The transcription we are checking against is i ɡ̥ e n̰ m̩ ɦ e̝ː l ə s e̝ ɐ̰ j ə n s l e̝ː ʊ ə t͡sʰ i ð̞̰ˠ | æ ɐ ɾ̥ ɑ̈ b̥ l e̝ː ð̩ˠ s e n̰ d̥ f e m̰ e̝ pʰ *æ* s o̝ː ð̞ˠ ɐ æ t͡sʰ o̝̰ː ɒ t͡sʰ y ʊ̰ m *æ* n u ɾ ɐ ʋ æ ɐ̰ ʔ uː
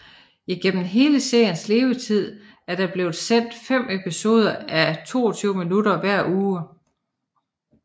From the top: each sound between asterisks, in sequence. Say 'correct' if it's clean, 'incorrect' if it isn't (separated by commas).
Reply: incorrect, incorrect